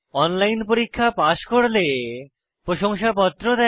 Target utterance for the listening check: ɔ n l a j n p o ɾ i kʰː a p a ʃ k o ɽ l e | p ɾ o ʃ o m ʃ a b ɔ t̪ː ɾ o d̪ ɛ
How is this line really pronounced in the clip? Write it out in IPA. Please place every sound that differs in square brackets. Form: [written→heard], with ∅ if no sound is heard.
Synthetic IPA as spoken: ɔ n l a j n p o ɾ i kʰː a p a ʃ k o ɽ l e | p ɾ o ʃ o [m→ŋ] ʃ a [b→p] ɔ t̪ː ɾ o d̪ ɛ